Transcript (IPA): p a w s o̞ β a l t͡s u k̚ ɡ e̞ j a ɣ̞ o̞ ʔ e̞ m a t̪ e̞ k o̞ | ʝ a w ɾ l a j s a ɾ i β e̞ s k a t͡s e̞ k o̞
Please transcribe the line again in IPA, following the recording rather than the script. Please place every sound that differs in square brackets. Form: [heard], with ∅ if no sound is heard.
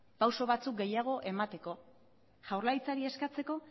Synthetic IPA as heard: p a w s o̞ β a [∅] t͡s u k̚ ɡ e̞ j a ɣ̞ o̞ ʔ e̞ m a t̪ e̞ k o̞ | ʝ a w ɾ l a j [t͡s] a ɾ i [∅] e̞ s k a t͡s e̞ k o̞